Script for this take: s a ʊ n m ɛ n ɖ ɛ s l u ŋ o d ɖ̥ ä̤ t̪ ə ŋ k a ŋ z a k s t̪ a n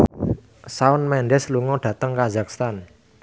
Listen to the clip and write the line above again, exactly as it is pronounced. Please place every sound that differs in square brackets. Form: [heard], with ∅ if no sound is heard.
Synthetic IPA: s a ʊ n m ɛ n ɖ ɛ s l u ŋ [ɔ] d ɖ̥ ä̤ t̪ ə ŋ k a [∅] z a k s t̪ a n